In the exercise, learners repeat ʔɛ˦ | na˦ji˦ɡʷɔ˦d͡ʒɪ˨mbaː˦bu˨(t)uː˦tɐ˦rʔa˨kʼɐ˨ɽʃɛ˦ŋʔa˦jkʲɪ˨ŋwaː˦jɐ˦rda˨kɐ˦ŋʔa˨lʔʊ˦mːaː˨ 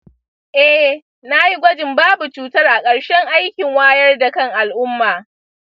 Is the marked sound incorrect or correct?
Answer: incorrect